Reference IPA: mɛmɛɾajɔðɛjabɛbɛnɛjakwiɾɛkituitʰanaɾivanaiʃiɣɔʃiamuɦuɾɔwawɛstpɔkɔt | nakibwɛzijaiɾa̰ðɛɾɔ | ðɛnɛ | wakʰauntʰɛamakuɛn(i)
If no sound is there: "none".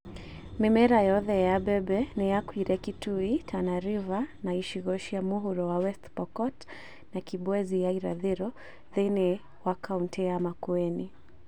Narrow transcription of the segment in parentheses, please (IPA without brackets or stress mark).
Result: i